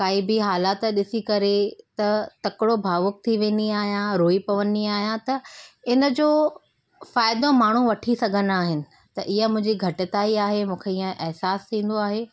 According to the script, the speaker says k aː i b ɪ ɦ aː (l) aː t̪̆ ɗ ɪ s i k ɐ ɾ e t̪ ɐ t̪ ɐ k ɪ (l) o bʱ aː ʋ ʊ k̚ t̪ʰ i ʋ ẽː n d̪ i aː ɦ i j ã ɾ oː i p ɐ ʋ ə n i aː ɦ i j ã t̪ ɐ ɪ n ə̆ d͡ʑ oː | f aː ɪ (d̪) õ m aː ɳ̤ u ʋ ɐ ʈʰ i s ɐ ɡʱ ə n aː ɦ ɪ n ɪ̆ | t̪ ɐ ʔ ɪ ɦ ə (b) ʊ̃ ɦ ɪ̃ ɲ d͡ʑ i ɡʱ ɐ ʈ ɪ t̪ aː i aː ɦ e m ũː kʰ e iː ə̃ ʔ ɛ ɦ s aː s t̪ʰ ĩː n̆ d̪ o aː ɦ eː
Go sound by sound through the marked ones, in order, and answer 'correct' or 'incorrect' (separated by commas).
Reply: correct, incorrect, correct, incorrect